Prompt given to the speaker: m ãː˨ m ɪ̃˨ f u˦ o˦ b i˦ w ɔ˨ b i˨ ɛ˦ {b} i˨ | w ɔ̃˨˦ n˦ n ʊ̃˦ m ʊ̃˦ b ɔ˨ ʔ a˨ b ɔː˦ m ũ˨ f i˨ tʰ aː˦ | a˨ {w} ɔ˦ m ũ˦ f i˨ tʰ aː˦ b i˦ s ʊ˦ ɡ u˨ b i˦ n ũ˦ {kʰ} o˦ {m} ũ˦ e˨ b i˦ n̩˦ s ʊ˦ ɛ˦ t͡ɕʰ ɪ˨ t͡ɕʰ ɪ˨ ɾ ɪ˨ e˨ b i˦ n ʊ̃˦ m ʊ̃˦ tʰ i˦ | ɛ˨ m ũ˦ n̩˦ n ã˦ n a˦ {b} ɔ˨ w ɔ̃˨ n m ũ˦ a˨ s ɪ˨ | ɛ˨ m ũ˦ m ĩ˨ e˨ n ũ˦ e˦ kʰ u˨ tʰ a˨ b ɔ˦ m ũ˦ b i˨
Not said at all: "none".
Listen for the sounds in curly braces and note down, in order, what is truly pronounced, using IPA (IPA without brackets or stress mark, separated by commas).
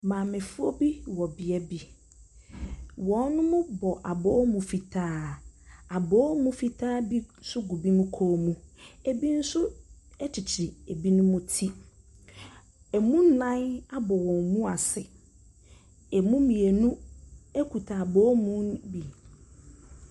b, b, kʰ, m, b